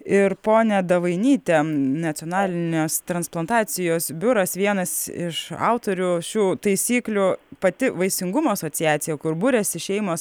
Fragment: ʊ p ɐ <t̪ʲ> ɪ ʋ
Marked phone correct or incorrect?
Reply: correct